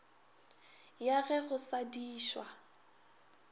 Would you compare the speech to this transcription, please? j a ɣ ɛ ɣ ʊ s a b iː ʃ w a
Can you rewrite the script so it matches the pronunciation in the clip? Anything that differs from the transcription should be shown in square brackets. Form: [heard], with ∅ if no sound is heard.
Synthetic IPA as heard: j a ɣ ɛ ɣ ʊ s a [d] iː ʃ w a